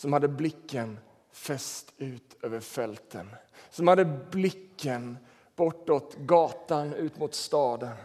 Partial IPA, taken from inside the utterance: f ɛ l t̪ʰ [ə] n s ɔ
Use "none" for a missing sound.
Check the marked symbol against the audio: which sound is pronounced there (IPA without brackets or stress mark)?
ə